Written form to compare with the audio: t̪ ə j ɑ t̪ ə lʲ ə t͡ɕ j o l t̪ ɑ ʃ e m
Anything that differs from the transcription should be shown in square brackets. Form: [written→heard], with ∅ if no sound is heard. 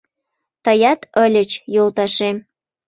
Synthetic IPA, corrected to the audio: t̪ ə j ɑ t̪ ə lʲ ə t͡ɕ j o l t̪ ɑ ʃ e m